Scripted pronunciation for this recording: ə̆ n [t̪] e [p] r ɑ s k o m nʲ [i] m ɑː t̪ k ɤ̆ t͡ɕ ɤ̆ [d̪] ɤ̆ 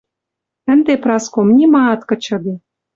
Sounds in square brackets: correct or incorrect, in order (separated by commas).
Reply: incorrect, correct, correct, correct